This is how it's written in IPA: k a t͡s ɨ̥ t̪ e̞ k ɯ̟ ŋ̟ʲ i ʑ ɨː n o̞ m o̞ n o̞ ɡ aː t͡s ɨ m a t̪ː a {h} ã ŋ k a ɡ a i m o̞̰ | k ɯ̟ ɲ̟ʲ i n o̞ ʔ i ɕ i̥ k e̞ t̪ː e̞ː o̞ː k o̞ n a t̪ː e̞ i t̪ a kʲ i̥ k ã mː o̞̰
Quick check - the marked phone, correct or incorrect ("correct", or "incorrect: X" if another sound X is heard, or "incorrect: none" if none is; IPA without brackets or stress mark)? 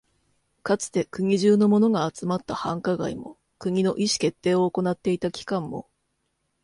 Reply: correct